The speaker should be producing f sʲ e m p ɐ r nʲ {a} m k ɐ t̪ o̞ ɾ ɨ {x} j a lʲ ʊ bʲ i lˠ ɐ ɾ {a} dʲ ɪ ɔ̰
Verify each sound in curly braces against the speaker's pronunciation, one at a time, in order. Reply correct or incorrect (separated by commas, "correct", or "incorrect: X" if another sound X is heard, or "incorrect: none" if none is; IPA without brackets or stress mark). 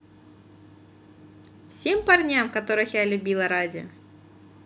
correct, correct, correct